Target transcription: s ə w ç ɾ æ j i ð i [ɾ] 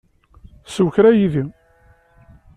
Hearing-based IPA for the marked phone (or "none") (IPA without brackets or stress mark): none